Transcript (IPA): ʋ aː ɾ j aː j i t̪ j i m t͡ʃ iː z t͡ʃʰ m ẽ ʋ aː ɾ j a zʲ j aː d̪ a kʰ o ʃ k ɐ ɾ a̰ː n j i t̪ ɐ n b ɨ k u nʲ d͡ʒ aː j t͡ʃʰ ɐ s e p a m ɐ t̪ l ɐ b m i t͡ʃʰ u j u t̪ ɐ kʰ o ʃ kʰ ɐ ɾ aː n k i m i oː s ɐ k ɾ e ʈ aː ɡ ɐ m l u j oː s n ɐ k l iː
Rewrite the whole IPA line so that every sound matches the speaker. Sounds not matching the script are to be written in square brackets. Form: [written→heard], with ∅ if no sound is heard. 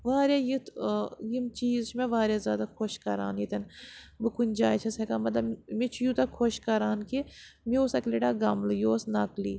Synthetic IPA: ʋ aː ɾ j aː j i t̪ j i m t͡ʃ iː z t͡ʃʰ m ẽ ʋ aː ɾ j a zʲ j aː d̪ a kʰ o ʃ k ɐ ɾ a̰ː n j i t̪ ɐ n b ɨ k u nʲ d͡ʒ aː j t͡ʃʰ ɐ s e [p→k] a m ɐ t̪ l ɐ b m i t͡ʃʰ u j u t̪ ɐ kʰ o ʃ [kʰ→k] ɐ ɾ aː n k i m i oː s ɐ k [ɾ→l] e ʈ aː ɡ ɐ m l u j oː s n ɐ k l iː

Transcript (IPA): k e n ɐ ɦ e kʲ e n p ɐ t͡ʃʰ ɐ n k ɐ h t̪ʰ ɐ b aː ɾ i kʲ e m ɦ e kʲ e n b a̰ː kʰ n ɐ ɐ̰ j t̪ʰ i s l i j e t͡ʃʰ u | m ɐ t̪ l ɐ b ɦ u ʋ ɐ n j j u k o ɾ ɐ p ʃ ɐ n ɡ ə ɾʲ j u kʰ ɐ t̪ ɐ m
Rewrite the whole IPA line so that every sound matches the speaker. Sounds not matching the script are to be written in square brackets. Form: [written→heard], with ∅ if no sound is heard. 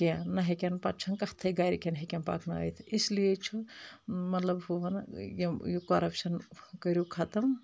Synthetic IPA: k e n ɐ ɦ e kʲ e n p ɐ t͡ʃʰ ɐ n k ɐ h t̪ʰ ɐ [b→ɡ] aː ɾ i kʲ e [m→n] ɦ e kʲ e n [b→p] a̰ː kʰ n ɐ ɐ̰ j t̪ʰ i s l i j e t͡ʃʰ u | m ɐ t̪ l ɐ b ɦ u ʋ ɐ n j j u k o ɾ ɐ p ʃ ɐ n [ɡ→k] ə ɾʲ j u kʰ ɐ t̪ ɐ m

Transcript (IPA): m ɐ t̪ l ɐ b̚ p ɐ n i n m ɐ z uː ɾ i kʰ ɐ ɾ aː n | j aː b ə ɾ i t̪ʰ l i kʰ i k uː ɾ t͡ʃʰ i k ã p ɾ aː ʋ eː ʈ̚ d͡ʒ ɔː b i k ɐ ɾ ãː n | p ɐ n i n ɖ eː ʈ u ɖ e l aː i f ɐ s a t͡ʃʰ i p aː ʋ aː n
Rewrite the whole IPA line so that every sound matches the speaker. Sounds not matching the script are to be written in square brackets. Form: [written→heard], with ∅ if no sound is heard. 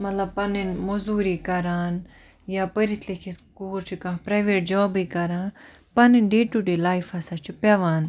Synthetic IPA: m ɐ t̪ l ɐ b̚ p ɐ n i n m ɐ z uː ɾ i [kʰ→k] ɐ ɾ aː n | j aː [b→p] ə ɾ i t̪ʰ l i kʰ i k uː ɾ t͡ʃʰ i k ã p ɾ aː ʋ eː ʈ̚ d͡ʒ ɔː b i k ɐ ɾ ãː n | p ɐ n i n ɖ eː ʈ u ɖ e l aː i f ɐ s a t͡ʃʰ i p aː ʋ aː n

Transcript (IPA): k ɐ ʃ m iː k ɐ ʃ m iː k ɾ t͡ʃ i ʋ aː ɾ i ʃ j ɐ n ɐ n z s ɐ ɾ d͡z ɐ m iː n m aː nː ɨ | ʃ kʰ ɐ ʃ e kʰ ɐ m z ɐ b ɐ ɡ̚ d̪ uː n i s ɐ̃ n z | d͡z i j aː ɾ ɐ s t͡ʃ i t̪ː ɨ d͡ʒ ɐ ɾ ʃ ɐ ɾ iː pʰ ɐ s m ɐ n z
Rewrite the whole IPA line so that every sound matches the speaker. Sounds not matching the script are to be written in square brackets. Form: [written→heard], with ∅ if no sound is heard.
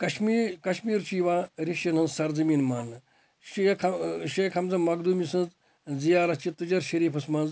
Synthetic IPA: k ɐ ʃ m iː k ɐ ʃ m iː [k→∅] ɾ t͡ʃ i ʋ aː ɾ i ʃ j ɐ n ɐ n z s ɐ ɾ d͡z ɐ m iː n m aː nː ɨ | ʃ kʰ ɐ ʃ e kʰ ɐ m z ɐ [b→m] ɐ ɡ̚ d̪ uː [n→m] i s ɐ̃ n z | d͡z i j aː ɾ ɐ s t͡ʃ i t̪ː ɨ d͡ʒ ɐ ɾ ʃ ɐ ɾ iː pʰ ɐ s m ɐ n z

